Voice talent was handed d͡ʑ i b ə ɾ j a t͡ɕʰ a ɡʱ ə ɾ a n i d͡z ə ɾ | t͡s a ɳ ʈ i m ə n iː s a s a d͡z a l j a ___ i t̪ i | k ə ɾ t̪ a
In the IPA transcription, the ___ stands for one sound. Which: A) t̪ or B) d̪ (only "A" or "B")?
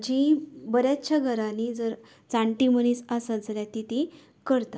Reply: A